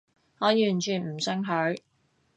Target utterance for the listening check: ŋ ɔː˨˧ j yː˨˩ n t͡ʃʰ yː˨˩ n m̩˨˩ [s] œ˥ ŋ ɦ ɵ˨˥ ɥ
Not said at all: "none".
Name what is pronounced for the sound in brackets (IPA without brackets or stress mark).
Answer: s